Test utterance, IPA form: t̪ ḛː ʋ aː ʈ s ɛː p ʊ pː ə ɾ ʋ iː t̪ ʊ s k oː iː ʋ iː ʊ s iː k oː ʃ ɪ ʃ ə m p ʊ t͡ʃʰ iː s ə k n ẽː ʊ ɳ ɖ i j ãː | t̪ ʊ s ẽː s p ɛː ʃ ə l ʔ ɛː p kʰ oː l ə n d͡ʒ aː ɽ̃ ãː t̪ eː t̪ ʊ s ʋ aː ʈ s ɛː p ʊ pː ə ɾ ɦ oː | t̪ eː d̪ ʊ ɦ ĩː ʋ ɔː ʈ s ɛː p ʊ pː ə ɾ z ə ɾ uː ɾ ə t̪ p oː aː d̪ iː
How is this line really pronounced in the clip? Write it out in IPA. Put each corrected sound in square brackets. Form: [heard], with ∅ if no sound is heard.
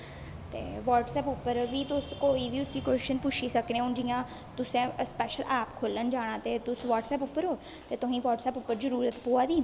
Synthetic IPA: t̪ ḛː ʋ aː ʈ s ɛː p ʊ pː ə ɾ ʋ iː t̪ ʊ s k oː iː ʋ iː ʊ s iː k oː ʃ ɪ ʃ ə [n] p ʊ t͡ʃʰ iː s ə k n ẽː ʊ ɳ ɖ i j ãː | t̪ ʊ s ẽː s p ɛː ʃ ə l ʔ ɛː p kʰ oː l ə n d͡ʒ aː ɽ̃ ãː t̪ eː t̪ ʊ s ʋ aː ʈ s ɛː p ʊ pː ə ɾ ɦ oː | t̪ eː [t̪] ʊ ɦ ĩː ʋ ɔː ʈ s ɛː p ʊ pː ə ɾ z ə ɾ uː ɾ ə t̪ p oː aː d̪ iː